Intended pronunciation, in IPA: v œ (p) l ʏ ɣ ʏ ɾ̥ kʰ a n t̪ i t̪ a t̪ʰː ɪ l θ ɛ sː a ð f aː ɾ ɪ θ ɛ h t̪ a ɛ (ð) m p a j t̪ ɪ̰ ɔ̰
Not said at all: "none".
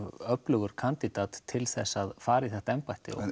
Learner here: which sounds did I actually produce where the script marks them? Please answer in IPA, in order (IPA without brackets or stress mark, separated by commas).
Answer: p, none